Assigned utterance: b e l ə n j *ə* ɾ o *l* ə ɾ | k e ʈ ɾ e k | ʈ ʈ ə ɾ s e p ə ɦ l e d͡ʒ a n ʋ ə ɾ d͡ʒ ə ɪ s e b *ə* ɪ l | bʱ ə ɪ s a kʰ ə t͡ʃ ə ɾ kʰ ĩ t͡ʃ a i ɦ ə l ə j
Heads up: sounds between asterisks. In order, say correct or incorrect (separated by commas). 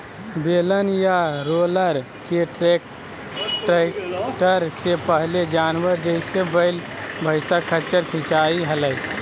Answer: incorrect, correct, correct